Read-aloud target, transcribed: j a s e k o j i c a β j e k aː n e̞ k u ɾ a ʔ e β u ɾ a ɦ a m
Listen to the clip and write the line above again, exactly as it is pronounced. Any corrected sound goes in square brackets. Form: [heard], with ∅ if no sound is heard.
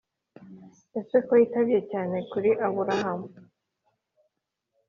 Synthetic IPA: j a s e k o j i [t] a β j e [c] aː n e̞ k u ɾ [i] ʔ [a] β u ɾ a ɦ a m